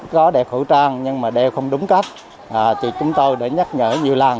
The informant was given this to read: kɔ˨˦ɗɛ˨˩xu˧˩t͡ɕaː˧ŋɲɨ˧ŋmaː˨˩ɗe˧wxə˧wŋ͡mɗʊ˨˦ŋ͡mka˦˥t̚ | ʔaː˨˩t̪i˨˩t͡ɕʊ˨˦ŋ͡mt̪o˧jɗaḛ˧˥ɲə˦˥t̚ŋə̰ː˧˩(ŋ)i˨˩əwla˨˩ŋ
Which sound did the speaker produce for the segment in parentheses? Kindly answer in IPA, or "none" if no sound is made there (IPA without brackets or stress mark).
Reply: ɲ